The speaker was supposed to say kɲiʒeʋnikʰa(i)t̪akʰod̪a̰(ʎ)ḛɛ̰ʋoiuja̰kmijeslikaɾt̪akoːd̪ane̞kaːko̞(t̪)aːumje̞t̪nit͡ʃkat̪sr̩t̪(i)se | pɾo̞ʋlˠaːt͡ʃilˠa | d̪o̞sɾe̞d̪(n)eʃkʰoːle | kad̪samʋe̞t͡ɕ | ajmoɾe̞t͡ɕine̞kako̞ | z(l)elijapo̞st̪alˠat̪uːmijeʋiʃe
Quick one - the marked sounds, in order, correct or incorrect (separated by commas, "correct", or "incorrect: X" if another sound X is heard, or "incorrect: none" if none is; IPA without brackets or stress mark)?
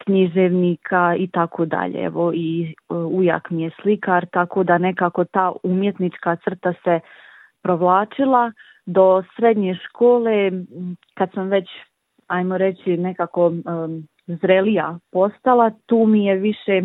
correct, correct, correct, incorrect: a, incorrect: ɲ, incorrect: ɾ